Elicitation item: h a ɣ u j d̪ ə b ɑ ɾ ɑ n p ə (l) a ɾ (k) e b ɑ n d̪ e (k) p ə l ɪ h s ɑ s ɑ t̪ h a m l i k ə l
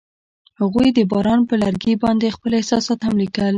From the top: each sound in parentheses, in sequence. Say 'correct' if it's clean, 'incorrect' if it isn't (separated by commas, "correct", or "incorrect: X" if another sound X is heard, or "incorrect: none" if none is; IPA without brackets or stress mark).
correct, incorrect: ɡ, incorrect: x